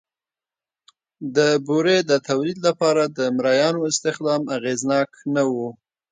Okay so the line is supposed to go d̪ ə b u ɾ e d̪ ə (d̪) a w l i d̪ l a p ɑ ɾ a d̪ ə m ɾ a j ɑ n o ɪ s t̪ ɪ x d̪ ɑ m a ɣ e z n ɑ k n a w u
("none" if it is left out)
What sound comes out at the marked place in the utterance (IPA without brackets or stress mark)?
t̪